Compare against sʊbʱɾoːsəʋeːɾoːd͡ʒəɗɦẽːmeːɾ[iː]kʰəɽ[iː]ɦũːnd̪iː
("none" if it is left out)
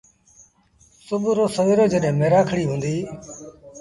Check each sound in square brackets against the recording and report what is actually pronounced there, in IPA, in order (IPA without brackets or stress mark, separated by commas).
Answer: aː, iː